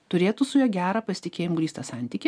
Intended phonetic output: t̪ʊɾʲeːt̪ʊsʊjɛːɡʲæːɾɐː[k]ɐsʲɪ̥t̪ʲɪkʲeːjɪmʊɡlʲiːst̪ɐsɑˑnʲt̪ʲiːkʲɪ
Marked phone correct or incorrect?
incorrect